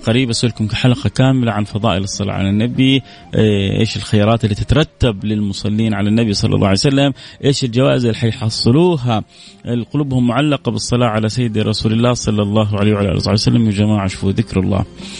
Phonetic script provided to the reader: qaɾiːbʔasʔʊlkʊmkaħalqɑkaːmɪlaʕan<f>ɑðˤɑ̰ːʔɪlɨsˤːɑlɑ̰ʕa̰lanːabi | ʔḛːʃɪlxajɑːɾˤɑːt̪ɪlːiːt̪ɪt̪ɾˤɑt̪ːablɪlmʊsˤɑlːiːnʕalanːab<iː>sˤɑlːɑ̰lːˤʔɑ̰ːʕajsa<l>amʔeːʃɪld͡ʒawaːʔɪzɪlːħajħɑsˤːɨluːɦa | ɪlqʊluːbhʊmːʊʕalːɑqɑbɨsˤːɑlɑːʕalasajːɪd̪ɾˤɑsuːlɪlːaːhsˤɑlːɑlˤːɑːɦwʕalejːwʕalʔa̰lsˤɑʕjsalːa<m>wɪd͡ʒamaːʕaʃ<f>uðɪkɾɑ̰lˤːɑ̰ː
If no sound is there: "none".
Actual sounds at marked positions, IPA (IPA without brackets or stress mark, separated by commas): f, i, lː, m, f